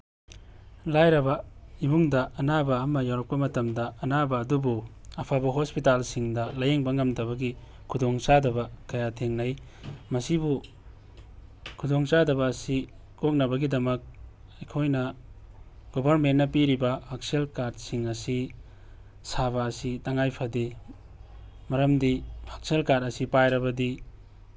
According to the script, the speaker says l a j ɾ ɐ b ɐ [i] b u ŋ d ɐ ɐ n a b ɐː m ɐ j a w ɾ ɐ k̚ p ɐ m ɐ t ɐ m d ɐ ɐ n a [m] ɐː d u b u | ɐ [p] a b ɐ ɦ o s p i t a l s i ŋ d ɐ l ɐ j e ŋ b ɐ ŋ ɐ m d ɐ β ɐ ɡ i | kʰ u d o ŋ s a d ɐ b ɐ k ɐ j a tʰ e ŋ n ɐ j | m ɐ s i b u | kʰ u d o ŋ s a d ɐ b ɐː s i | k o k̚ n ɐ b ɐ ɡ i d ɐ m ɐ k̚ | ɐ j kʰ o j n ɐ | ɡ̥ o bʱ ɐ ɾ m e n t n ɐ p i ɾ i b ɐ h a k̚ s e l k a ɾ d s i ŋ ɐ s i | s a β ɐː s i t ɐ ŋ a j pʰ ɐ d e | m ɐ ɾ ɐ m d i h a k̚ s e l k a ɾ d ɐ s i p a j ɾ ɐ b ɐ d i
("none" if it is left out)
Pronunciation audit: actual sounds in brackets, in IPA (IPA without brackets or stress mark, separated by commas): i, b, pʰ